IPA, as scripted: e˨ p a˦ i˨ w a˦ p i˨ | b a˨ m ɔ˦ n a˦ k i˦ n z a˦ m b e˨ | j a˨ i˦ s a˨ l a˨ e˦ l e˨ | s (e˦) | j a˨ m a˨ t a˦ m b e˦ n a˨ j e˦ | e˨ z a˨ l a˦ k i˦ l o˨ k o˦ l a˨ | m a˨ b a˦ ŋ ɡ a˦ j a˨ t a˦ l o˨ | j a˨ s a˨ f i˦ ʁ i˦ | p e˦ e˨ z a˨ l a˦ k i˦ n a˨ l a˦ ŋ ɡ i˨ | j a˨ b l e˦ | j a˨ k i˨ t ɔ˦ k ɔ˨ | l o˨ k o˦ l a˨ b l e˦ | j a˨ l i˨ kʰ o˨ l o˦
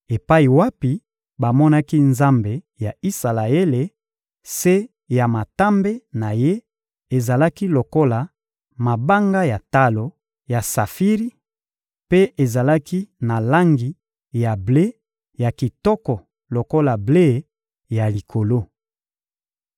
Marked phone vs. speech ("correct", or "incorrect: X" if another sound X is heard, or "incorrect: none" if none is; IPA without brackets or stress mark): correct